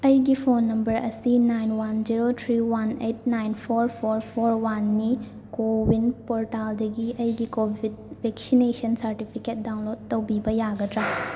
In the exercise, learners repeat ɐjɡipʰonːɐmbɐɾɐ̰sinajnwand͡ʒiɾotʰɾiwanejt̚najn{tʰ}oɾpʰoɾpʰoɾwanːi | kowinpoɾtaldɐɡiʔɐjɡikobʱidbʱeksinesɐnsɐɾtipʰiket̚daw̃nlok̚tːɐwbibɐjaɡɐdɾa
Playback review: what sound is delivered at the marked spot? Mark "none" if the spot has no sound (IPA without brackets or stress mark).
pʰ